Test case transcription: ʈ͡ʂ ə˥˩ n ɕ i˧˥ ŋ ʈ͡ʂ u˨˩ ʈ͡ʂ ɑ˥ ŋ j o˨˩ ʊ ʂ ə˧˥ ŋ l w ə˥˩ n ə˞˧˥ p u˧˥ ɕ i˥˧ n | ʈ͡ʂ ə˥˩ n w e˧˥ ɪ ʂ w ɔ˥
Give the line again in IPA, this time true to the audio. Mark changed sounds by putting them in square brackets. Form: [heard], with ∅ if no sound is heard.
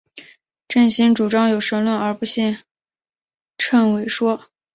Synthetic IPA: ʈ͡ʂ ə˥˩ n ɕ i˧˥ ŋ ʈ͡ʂ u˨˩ ʈ͡ʂ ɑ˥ ŋ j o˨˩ ʊ ʂ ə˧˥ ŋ l w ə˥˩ n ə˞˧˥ p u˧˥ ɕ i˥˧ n | [ʈ͡ʂʰ] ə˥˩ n w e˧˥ ɪ ʂ w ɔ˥